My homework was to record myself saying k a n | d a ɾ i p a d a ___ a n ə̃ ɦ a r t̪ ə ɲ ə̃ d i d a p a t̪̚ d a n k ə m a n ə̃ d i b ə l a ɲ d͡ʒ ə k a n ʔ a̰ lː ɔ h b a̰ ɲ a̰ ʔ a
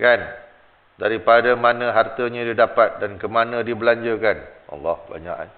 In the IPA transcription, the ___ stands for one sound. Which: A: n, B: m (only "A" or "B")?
B